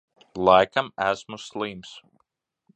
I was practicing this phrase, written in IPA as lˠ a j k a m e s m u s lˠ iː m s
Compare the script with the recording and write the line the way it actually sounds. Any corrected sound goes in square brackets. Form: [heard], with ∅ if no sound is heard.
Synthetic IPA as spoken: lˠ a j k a m [æ] s m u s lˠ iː m s

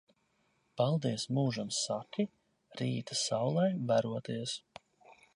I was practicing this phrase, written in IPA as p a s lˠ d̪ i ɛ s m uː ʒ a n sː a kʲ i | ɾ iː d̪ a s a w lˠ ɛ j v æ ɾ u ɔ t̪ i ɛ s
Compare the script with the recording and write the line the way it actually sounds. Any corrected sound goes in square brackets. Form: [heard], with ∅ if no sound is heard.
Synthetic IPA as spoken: p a [∅] lˠ d̪ i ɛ s m uː ʒ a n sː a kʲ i | ɾ iː [t̪] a s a w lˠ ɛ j v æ ɾ u ɔ t̪ i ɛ s

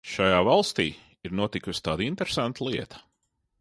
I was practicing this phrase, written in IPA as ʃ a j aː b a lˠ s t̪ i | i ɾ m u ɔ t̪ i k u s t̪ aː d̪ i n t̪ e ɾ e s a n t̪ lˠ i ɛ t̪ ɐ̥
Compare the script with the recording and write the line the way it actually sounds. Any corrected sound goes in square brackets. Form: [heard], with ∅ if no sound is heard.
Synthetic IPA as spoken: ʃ a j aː [v] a lˠ s t̪ [iː] | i ɾ [n] u ɔ t̪ i k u s t̪ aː d̪ i n t̪ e ɾ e s a n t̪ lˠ i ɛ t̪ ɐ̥

